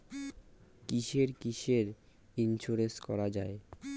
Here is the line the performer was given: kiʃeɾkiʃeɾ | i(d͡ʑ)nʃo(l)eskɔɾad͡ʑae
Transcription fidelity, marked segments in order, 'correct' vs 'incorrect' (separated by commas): incorrect, incorrect